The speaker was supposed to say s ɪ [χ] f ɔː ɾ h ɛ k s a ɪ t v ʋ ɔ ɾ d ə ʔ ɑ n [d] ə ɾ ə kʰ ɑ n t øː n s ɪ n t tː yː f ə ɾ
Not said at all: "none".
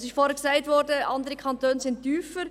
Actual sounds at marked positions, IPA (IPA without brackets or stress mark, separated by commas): ʃ, d